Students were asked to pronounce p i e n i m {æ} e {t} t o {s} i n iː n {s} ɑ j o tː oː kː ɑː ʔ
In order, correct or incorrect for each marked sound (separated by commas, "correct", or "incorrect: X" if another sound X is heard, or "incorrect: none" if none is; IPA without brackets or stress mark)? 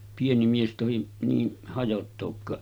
incorrect: i, incorrect: s, incorrect: h, incorrect: h